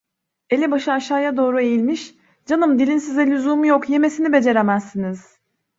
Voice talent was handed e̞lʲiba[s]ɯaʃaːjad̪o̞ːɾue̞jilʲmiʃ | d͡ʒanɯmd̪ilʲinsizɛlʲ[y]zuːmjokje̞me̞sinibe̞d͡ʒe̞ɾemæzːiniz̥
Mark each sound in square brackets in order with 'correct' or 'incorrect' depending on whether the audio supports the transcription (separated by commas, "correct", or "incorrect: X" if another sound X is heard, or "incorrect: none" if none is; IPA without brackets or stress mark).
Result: incorrect: ʃ, correct